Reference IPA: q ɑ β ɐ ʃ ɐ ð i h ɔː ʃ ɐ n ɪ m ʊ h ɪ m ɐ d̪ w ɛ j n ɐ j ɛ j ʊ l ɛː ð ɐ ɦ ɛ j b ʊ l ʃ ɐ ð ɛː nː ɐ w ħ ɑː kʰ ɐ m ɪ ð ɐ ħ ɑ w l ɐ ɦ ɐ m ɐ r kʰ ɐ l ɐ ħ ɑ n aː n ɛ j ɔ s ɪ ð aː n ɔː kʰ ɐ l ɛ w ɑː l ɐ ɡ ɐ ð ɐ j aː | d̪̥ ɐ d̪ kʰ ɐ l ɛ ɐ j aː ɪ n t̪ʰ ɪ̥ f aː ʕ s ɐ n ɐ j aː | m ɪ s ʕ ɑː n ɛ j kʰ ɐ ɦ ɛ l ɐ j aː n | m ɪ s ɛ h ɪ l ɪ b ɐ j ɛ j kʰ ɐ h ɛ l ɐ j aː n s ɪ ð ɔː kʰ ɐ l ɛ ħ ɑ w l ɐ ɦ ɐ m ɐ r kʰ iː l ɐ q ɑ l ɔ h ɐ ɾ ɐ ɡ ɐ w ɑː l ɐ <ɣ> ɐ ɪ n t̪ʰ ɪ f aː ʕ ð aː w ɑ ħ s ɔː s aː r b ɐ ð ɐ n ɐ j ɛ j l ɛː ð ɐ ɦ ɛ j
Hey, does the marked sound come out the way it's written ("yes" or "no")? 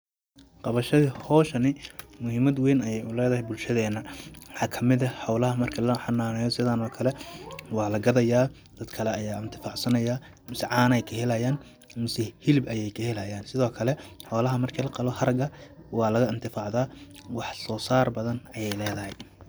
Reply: yes